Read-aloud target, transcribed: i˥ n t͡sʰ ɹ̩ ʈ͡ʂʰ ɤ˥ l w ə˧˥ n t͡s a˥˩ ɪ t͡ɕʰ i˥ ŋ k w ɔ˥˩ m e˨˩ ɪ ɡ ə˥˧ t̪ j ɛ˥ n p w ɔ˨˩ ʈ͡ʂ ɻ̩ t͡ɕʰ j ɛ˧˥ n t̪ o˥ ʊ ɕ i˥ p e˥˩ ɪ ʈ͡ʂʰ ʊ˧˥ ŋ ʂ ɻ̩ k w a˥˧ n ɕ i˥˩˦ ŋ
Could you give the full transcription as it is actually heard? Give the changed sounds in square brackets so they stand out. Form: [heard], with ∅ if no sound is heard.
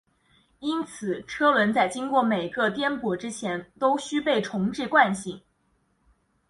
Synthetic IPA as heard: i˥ n t͡sʰ ɹ̩ ʈ͡ʂʰ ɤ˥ l w ə˧˥ n t͡s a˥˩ ɪ [t͡ɕ] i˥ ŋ k w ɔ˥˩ m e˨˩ ɪ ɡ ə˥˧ t̪ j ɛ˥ n p w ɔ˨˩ ʈ͡ʂ ɻ̩ t͡ɕʰ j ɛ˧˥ n t̪ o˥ ʊ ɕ [y˥] p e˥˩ ɪ ʈ͡ʂʰ ʊ˧˥ ŋ [ʈ͡ʂ] ɻ̩ k w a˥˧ n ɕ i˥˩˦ ŋ

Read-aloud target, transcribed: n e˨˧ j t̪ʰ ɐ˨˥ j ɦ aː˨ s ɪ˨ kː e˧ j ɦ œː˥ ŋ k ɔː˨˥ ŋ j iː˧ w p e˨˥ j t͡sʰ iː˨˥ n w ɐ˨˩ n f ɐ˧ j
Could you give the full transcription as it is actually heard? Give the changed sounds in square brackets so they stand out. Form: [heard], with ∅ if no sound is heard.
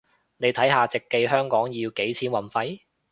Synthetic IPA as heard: n e˨˧ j t̪ʰ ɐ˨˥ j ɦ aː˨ [t͡s] ɪ˨ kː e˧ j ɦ œː˥ ŋ k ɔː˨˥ ŋ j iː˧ w [k] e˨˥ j t͡sʰ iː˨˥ n w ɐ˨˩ n f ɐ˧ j

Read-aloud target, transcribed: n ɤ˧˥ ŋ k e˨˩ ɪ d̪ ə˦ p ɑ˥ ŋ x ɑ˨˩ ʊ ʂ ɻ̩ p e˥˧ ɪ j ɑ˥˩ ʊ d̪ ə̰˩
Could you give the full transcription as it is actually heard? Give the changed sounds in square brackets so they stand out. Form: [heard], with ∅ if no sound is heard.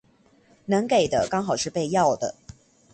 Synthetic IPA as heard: n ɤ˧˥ ŋ k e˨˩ ɪ d̪ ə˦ [k] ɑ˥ ŋ x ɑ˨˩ ʊ ʂ ɻ̩ p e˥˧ ɪ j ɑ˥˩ ʊ d̪ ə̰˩

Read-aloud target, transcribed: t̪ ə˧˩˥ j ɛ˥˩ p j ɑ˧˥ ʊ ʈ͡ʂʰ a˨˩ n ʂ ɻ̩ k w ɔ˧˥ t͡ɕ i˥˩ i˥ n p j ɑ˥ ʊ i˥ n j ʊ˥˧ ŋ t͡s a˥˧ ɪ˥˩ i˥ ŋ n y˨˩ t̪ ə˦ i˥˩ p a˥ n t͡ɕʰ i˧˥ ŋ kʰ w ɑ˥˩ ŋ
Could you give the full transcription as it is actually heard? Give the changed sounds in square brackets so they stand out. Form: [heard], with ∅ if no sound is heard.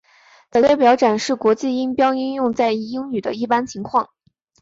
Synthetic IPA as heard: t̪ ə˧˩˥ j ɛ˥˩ p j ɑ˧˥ ʊ [ʈ͡ʂ] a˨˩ n ʂ ɻ̩ k w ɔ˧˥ t͡ɕ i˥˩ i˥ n p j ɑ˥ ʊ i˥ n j ʊ˥˧ ŋ t͡s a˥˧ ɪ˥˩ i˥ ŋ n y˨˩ [d̪] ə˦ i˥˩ p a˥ n t͡ɕʰ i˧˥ ŋ kʰ w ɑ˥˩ ŋ

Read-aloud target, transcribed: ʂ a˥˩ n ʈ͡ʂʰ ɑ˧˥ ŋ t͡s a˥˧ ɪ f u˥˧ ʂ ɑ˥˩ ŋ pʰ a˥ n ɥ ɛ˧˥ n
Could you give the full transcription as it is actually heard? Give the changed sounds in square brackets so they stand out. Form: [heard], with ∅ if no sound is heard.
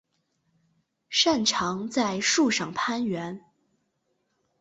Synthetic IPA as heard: ʂ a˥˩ n ʈ͡ʂʰ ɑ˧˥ ŋ t͡s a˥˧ ɪ [ʂ] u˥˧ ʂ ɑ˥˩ ŋ pʰ a˥ n ɥ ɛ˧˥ n

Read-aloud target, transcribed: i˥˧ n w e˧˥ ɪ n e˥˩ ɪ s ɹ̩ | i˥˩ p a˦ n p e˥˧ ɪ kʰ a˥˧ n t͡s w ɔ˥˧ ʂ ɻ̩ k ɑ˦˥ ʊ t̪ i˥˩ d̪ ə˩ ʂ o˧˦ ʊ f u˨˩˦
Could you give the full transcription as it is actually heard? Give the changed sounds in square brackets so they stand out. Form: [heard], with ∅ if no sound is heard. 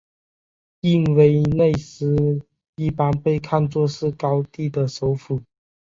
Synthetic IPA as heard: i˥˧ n w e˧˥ ɪ n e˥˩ ɪ s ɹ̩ | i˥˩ p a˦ n p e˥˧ ɪ kʰ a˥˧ n t͡s w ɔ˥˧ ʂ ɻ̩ k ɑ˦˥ ʊ t̪ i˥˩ d̪ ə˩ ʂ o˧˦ ʊ f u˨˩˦

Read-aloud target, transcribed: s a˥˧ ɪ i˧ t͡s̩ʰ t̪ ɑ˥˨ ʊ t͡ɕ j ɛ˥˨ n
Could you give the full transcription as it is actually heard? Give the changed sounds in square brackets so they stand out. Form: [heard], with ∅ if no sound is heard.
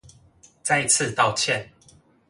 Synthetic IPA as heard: [t͡s] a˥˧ ɪ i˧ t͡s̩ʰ t̪ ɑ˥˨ ʊ [t͡ɕʰ] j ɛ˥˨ n

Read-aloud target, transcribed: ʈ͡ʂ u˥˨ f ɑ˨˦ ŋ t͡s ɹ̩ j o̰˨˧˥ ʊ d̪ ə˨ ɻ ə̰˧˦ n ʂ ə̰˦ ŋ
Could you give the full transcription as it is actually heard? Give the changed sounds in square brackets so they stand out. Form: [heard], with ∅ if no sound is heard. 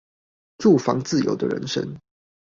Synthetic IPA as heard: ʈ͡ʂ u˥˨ f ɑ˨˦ ŋ t͡s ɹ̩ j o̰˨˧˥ ʊ d̪ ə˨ ɻ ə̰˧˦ n ʂ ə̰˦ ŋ

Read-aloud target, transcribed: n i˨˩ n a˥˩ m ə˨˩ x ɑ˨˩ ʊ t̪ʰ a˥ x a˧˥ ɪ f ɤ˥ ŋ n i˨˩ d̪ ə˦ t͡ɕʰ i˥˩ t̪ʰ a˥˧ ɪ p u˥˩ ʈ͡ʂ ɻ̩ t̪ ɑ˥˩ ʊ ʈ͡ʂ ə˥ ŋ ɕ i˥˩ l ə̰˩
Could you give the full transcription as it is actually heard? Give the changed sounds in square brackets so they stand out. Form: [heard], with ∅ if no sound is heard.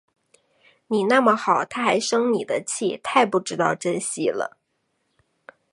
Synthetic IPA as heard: n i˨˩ n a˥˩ m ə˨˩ x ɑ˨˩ ʊ t̪ʰ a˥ x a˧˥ ɪ [ʂ] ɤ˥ ŋ n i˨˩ d̪ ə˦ t͡ɕʰ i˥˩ t̪ʰ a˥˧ ɪ p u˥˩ ʈ͡ʂ ɻ̩ t̪ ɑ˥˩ ʊ ʈ͡ʂ ə˥ [n] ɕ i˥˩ l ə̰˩

